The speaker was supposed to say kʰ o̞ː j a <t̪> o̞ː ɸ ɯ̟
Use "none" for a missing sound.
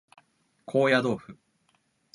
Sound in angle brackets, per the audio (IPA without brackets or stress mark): d̪